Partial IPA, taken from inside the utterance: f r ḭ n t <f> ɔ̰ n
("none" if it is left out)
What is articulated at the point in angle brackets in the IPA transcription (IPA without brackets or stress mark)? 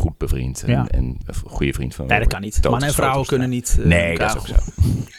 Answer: f